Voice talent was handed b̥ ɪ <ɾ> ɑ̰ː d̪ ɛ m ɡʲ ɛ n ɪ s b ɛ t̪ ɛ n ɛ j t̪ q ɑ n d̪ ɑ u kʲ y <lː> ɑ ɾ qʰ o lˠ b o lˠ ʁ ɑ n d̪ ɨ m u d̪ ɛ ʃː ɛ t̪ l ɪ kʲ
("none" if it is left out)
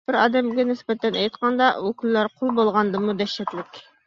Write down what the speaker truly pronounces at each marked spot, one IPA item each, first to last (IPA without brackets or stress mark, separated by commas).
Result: ɾ, lː